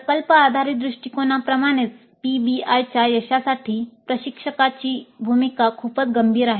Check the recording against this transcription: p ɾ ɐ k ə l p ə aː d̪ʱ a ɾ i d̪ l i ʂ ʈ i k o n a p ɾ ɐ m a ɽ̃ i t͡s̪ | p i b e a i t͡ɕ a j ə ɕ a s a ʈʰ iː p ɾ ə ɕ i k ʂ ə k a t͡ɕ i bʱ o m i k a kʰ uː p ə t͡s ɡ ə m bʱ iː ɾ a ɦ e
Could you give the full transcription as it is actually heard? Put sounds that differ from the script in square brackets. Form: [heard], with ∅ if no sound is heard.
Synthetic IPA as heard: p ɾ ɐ k ə l p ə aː d̪ʱ a ɾ i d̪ [ɾ] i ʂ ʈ i k o n a p ɾ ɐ m a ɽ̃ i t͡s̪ | p i b [i] a [j] t͡ɕ a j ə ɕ a s a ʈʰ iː p ɾ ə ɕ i k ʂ ə k a t͡ɕ i bʱ [u] m i k a kʰ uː p ə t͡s ɡ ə m bʱ iː ɾ a ɦ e